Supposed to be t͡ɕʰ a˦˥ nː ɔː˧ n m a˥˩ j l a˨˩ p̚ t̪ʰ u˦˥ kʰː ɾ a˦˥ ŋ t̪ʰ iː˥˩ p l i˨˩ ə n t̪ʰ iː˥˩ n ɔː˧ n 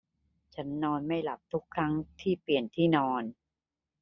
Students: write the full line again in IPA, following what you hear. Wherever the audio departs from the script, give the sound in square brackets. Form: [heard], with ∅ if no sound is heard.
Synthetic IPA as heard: t͡ɕʰ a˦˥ nː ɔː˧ n m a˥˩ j l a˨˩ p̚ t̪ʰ u˦˥ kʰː ɾ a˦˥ ŋ t̪ʰ iː˥˩ p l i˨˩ ə n t̪ʰ iː˥˩ n ɔː˧ n